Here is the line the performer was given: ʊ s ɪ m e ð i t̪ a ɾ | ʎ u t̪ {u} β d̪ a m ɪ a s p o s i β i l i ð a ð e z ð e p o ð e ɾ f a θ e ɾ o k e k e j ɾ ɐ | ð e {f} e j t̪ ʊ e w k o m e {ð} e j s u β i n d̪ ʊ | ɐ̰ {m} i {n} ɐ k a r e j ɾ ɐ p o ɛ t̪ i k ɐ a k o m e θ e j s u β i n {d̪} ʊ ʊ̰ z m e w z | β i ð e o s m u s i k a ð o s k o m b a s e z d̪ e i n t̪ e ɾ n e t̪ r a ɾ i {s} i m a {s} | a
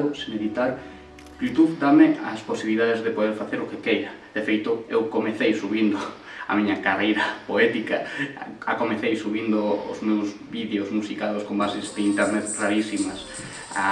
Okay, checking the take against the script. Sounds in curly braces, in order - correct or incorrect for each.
correct, correct, incorrect, correct, incorrect, correct, correct, correct

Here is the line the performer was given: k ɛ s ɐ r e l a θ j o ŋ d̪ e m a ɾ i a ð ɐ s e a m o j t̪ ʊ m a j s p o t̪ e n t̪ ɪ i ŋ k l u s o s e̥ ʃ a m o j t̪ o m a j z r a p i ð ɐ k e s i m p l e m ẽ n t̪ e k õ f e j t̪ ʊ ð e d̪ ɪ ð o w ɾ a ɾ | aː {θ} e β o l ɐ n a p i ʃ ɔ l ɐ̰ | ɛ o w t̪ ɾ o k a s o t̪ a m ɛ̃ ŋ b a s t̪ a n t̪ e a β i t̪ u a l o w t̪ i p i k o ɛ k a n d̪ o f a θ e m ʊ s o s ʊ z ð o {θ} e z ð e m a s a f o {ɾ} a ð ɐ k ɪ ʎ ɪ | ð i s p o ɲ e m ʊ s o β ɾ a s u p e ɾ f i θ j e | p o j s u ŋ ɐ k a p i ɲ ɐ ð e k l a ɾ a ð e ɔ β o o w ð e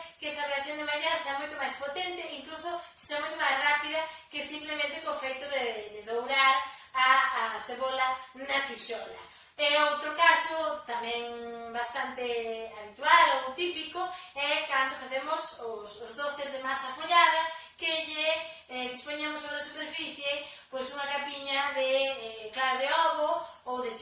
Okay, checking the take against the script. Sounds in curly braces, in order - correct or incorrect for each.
correct, correct, incorrect

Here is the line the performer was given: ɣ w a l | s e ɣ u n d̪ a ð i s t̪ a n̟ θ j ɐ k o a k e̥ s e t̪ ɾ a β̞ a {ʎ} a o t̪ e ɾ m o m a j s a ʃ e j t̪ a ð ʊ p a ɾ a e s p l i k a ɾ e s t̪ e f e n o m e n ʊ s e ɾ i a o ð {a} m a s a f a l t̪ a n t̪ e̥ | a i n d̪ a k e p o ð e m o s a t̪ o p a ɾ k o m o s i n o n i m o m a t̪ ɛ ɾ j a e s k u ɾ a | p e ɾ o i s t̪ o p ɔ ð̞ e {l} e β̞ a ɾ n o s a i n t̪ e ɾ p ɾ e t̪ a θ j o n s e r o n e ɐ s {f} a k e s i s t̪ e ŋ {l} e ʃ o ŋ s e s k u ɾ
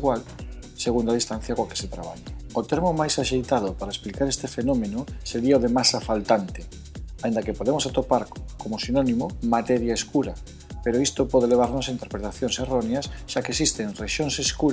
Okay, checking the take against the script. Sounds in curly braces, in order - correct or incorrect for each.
correct, incorrect, correct, incorrect, incorrect

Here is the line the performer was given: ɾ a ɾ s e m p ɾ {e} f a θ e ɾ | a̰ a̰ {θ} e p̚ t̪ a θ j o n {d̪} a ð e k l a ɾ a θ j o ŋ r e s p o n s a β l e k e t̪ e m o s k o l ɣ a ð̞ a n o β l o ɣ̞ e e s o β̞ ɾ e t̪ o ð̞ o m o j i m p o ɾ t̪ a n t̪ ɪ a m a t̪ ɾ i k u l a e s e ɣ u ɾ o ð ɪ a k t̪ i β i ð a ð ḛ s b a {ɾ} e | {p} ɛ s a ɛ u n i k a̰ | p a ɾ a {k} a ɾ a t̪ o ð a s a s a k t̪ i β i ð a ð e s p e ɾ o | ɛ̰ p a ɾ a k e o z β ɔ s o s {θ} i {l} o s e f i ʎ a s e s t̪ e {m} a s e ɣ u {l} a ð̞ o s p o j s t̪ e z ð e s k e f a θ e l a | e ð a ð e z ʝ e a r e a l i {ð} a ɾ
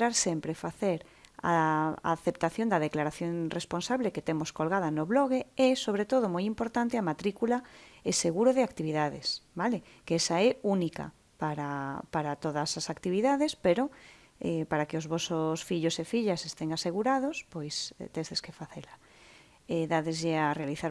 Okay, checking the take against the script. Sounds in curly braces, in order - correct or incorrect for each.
correct, correct, correct, incorrect, incorrect, incorrect, incorrect, incorrect, incorrect, incorrect, incorrect

